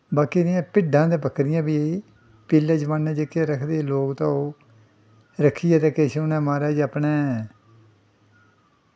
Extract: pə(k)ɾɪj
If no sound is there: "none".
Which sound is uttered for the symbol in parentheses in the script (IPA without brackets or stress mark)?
k